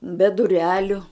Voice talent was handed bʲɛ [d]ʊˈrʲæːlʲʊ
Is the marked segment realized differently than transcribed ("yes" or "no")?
no